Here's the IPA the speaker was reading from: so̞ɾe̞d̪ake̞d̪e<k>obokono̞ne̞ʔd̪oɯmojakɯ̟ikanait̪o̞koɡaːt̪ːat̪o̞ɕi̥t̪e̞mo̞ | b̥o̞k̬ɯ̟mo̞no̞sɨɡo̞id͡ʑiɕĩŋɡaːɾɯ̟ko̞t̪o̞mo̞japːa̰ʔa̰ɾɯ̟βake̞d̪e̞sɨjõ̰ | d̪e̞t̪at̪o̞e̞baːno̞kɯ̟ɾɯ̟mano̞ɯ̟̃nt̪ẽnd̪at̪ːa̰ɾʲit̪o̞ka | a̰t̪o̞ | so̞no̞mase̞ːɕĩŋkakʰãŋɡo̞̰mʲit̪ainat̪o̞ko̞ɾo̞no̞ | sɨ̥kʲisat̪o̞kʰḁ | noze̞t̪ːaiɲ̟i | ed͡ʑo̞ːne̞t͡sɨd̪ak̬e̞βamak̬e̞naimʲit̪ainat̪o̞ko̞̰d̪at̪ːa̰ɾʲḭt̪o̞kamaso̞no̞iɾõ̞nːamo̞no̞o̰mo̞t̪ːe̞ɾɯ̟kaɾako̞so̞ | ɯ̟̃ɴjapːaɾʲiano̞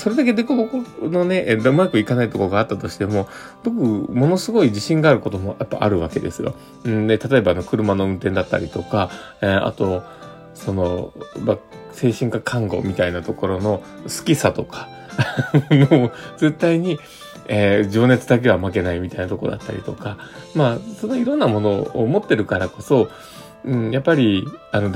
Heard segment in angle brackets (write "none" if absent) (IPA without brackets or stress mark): k